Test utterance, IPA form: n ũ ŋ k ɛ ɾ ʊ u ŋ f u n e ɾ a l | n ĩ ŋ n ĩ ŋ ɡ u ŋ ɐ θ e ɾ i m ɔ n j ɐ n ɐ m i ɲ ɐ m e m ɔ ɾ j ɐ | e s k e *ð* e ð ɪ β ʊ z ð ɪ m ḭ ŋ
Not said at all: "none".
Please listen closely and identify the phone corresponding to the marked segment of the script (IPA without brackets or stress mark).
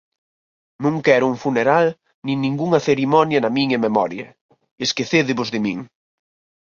θ